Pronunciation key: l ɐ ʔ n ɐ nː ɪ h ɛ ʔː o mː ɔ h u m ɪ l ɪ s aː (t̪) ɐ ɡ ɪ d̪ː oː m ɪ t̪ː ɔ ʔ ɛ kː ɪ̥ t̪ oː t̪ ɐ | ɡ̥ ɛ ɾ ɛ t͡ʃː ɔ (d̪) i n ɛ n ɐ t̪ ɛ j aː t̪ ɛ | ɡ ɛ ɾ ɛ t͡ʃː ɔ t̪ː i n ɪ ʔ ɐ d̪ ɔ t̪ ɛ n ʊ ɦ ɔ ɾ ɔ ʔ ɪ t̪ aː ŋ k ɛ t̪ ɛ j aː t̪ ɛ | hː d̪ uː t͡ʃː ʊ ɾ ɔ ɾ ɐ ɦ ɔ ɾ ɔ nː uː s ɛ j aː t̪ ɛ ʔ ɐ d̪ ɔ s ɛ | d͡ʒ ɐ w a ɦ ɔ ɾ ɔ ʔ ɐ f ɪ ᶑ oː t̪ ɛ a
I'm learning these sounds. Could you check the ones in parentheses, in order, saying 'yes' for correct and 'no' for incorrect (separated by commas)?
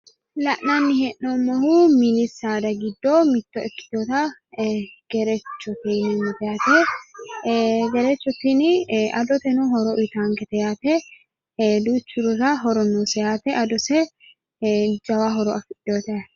no, no